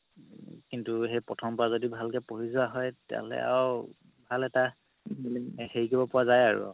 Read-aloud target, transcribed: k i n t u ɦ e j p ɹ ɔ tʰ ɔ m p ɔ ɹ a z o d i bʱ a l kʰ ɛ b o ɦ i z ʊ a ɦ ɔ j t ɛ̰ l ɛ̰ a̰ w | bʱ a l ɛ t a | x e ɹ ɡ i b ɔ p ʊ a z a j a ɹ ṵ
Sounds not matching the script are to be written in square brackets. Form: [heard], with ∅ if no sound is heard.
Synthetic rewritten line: k i n t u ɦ e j p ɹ ɔ tʰ ɔ m p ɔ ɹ a z o d i bʱ a l [k] ɛ [p] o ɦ i z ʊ a ɦ ɔ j t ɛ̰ l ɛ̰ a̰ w | bʱ a l ɛ t a | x e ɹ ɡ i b ɔ p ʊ a z a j a ɹ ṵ

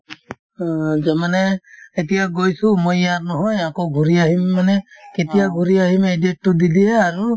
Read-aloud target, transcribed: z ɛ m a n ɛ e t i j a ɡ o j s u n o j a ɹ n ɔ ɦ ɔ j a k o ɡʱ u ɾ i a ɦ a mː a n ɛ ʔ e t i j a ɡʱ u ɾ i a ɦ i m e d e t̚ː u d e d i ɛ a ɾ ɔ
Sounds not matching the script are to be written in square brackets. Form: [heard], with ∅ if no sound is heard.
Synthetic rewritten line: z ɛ m a n ɛ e t i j a ɡ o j s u [m] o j a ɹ n ɔ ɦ ɔ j a k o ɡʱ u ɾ i a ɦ [i] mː a n ɛ [k] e t i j a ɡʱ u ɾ i a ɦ i m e d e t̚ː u d [i] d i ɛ a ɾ [u]

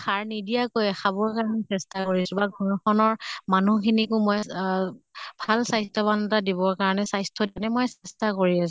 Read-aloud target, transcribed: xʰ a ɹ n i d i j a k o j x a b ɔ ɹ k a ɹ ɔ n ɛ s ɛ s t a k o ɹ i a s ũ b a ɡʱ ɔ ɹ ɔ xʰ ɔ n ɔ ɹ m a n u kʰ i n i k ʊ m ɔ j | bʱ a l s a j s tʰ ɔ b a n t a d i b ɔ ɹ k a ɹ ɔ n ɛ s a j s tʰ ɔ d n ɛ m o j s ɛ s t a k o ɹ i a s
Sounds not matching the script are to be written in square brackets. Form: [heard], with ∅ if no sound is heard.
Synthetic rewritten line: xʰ a ɹ n i d i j a k o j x a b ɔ ɹ k a ɹ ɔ n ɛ s ɛ s t a k o ɹ i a s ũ b a ɡʱ ɔ ɹ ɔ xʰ ɔ n ɔ ɹ m a n u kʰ i n i k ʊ m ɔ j | bʱ a l s a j s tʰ ɔ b a n t a d i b ɔ ɹ k a ɹ ɔ n ɛ s a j s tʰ ɔ d n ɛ m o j s ɛ s t a k o ɹ i a s

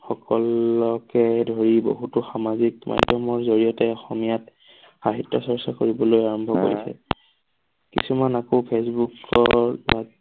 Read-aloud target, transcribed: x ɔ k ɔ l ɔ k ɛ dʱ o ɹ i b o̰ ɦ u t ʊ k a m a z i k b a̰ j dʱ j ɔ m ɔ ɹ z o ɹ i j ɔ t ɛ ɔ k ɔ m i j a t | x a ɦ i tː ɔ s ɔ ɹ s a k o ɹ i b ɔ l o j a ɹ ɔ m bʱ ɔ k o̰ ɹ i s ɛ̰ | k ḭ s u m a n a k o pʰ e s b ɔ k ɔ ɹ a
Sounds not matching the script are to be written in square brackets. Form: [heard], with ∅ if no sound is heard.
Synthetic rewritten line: x ɔ k ɔ l ɔ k ɛ dʱ o ɹ i b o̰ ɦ u t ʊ [x] a m a z i k [m] a̰ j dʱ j ɔ m ɔ ɹ z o ɹ i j ɔ t ɛ ɔ [x] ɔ m i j a t | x a ɦ i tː ɔ s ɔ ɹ s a k o ɹ i b ɔ l o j a ɹ ɔ m bʱ ɔ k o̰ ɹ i s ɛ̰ | k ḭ s u m a n a k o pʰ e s b [u] k ɔ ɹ a

